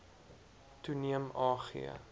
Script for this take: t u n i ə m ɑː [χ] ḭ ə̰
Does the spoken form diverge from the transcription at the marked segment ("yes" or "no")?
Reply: no